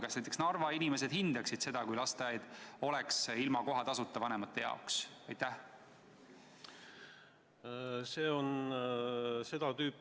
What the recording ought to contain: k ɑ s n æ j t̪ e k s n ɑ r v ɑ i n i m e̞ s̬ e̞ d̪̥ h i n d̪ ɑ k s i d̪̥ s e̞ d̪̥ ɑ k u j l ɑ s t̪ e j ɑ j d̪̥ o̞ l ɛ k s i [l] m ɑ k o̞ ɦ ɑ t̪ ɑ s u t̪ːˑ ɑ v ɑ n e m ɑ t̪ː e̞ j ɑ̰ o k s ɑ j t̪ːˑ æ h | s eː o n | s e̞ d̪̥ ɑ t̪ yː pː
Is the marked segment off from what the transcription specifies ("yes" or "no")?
no